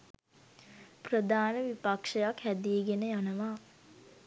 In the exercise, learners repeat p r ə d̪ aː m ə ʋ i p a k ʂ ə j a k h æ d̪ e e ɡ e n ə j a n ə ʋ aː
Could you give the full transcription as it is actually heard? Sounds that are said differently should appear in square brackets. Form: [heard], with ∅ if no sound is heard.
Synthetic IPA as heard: p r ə d̪ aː [n] ə ʋ i p a k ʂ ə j a k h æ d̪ [i] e ɡ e n ə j a n ə ʋ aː